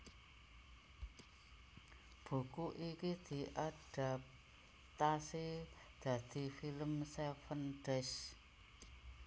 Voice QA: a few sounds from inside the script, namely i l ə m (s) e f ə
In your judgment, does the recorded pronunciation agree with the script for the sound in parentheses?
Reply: yes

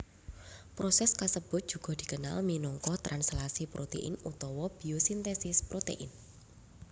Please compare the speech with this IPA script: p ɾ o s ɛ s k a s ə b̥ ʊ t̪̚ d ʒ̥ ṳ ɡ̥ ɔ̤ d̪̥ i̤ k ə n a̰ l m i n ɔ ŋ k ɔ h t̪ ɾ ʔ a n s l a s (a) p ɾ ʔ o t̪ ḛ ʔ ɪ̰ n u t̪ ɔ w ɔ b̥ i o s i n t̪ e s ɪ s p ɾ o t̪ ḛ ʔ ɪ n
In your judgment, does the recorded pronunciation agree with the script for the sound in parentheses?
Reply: no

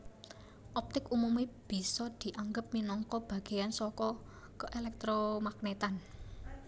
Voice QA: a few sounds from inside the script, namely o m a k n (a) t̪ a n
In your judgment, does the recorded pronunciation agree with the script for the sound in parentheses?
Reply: no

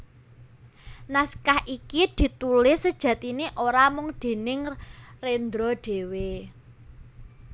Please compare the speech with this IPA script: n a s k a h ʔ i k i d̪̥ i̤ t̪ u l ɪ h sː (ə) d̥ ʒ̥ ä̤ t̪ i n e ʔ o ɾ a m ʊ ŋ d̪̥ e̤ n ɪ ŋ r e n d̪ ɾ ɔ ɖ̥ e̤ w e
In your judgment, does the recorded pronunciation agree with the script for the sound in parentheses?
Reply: yes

